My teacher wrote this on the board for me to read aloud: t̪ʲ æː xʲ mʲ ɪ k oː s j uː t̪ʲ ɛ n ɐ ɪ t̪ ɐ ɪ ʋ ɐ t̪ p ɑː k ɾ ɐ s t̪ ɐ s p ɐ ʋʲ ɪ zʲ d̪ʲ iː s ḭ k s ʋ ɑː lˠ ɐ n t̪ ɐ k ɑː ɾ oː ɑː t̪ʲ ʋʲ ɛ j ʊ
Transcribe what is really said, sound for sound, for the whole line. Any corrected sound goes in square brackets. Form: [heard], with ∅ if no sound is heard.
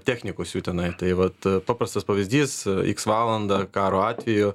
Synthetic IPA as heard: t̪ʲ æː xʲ [nʲ] ɪ k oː s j uː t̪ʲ ɛ n ɐ ɪ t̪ ɐ ɪ ʋ ɐ t̪ p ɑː [p] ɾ ɐ s t̪ ɐ s p ɐ ʋʲ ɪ zʲ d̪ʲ iː s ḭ k s ʋ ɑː lˠ ɐ n [d̪] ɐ k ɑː ɾ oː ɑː t̪ʲ ʋʲ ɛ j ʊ